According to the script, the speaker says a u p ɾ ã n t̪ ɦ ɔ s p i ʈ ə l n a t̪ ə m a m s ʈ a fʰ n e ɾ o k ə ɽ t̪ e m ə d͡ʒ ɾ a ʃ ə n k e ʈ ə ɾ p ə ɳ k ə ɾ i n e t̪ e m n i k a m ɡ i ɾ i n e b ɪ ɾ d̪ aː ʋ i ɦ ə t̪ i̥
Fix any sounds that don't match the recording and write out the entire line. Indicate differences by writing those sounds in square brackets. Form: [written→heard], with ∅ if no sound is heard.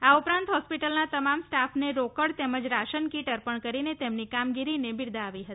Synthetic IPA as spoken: a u p ɾ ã n t̪ ɦ ɔ s p i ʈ ə l n a t̪ ə m a m s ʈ a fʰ n e ɾ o k ə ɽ t̪ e m ə d͡ʒ ɾ a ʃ ə n k [e→i] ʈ ə ɾ p ə ɳ k ə ɾ i n e t̪ e m n i k a m ɡ i ɾ i n e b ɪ ɾ d̪ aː ʋ i ɦ ə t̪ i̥